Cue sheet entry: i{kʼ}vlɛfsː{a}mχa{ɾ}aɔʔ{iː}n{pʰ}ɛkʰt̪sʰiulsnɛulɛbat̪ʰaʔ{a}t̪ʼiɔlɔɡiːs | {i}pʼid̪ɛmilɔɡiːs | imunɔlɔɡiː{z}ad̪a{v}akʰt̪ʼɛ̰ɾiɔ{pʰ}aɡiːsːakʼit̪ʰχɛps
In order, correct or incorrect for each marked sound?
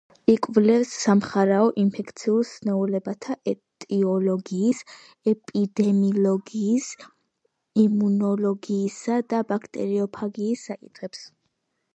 correct, correct, correct, incorrect, correct, incorrect, incorrect, incorrect, incorrect, correct

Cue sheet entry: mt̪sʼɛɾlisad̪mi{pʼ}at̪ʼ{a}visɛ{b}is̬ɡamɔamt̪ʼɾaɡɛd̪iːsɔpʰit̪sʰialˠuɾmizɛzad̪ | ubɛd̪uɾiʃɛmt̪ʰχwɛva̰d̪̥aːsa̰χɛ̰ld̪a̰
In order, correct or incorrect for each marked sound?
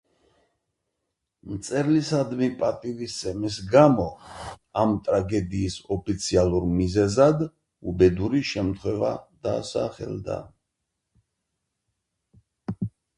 correct, incorrect, incorrect

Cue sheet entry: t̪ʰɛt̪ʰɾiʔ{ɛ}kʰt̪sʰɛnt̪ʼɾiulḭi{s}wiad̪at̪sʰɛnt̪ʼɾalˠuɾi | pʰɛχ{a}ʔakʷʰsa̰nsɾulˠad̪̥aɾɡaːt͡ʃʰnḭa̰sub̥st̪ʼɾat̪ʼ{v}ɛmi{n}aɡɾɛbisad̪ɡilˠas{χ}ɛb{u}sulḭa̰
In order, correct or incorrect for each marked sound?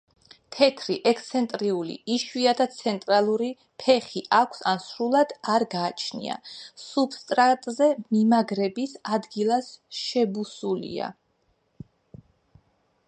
correct, incorrect, incorrect, incorrect, incorrect, incorrect, correct

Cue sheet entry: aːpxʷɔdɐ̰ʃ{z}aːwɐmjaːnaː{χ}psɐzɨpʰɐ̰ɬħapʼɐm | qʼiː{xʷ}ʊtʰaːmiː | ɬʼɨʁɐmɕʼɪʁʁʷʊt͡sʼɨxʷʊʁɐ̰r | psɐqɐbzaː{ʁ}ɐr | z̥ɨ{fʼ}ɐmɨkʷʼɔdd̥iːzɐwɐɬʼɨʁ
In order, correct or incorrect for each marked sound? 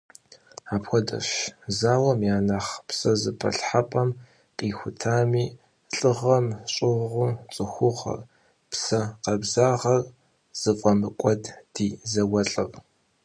correct, correct, correct, correct, correct

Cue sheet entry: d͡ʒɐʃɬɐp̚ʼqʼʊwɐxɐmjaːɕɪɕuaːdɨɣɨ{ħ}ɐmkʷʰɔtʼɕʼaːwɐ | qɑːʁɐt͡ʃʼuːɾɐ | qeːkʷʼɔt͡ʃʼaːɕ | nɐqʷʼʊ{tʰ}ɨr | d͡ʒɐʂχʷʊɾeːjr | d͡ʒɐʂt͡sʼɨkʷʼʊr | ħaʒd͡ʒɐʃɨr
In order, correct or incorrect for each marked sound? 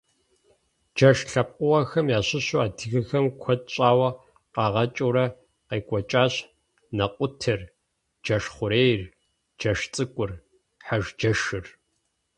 incorrect, correct

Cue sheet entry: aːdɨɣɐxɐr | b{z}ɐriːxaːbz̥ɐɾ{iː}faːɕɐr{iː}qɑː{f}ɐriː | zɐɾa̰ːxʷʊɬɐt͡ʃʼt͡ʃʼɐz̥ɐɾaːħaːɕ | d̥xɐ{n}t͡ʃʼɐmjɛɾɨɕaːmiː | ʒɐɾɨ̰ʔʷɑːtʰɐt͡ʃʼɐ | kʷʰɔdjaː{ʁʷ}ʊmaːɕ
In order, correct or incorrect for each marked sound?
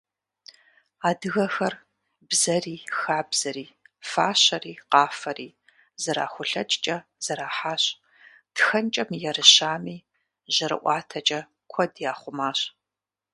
correct, correct, correct, correct, correct, incorrect

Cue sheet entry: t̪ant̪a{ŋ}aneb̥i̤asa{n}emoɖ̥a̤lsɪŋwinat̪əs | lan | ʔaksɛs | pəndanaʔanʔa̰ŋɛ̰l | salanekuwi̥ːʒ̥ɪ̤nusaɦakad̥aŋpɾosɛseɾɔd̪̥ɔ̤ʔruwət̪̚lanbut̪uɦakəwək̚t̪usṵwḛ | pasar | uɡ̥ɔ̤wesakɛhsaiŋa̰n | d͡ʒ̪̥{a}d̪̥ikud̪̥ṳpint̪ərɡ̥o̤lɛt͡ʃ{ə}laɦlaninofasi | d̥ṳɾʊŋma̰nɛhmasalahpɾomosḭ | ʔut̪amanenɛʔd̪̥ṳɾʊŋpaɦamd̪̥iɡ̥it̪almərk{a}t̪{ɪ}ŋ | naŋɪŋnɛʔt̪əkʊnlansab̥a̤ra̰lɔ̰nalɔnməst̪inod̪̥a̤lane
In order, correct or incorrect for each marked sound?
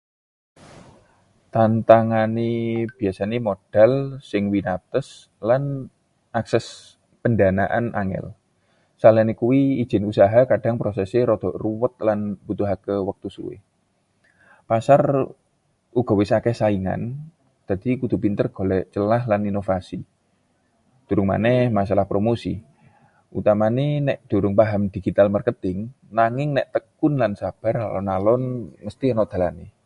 correct, correct, correct, correct, incorrect, correct

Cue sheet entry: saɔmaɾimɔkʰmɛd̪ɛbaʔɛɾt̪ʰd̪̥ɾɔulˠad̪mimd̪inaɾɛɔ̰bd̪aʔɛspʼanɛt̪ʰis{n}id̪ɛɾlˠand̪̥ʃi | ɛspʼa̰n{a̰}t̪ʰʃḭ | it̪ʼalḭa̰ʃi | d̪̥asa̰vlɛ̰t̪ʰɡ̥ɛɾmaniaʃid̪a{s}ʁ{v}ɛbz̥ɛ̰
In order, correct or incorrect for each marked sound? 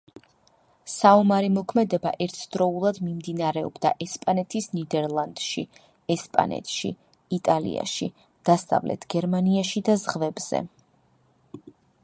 correct, incorrect, incorrect, correct

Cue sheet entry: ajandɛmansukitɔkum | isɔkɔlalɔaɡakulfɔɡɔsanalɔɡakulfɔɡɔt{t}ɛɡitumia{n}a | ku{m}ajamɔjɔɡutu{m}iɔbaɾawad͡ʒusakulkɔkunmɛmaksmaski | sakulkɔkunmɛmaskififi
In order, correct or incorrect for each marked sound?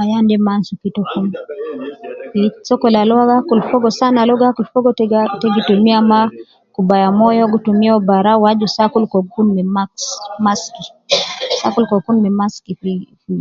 correct, incorrect, incorrect, correct

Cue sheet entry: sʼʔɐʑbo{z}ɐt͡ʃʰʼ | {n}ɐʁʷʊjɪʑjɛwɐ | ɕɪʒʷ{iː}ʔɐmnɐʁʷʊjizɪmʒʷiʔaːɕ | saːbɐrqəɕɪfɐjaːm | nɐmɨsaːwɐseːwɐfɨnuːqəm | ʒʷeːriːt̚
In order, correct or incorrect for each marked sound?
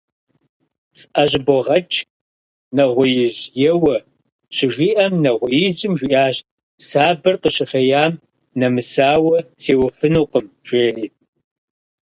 incorrect, correct, correct

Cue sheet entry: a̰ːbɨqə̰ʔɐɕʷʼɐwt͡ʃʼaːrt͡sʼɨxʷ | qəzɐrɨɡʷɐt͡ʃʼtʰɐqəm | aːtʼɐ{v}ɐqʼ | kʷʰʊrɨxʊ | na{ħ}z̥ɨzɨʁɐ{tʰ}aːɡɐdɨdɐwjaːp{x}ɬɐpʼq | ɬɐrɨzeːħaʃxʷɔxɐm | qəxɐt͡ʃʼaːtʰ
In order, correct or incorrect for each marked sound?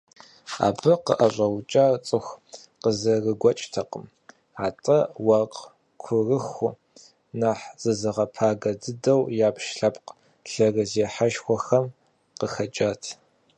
incorrect, correct, incorrect, incorrect

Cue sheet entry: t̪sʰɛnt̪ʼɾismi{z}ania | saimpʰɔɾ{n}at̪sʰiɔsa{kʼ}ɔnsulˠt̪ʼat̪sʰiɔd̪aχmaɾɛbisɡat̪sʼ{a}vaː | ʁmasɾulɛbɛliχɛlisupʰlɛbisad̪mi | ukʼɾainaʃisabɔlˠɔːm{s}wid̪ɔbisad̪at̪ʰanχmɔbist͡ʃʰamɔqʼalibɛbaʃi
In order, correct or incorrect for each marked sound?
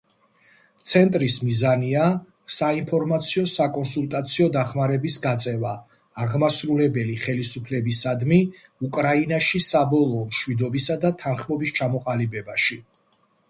correct, incorrect, correct, incorrect, incorrect

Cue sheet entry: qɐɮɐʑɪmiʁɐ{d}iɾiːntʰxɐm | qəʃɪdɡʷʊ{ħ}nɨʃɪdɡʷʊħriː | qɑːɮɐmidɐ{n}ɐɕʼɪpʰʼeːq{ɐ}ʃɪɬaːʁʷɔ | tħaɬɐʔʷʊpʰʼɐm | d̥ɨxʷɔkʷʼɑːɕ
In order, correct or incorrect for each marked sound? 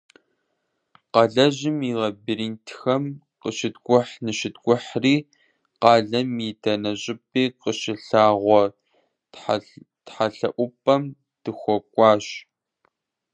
incorrect, correct, correct, incorrect

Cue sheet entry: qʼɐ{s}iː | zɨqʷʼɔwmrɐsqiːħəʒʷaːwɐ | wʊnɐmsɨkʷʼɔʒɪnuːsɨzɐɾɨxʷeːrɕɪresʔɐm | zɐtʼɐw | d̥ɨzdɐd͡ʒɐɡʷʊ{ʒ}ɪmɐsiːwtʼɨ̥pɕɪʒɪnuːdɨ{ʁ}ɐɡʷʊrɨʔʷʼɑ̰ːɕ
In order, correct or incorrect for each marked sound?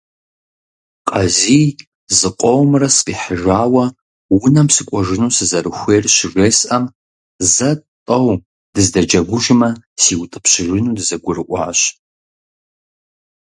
incorrect, correct, incorrect

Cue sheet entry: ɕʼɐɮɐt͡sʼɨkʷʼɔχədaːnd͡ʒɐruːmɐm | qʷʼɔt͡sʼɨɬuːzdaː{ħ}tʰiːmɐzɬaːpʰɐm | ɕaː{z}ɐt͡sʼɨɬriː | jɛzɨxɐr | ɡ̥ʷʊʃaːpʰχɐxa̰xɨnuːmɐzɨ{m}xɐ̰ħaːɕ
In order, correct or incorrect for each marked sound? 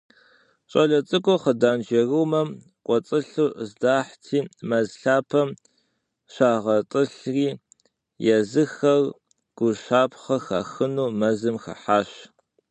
correct, incorrect, correct

